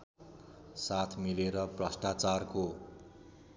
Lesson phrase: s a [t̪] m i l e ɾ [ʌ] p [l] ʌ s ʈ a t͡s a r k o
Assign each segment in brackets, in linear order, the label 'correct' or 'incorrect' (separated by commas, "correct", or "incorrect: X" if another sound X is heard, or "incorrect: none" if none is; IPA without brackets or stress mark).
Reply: incorrect: t̪ʰ, correct, incorrect: r